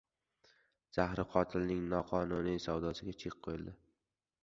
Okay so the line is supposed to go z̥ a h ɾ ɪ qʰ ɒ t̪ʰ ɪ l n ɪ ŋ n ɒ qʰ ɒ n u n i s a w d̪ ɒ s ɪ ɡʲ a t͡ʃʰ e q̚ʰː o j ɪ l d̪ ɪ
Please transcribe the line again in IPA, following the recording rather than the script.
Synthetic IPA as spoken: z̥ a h ɾ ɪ qʰ ɒ t̪ʰ ɪ l n ɪ ŋ n ɒ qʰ ɒ n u n i s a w d̪ ɒ s ɪ ɡʲ a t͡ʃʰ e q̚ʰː o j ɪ l d̪ ɪ